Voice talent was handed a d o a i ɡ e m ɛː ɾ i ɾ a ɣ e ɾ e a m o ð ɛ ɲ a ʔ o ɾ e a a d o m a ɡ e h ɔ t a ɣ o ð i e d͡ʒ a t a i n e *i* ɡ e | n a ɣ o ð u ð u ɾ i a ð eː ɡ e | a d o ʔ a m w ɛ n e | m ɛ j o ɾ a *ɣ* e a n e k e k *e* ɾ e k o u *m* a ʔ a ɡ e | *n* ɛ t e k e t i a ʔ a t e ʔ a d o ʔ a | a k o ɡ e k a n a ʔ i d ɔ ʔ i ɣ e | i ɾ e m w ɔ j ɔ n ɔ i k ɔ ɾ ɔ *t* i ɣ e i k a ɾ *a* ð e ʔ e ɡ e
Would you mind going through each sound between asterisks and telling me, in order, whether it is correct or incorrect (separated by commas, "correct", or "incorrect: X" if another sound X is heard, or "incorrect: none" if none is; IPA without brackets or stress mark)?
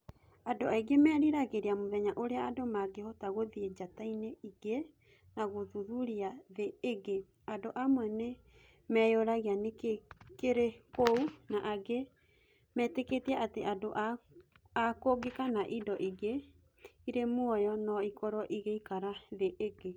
correct, correct, correct, incorrect: n, incorrect: m, incorrect: ʔ, correct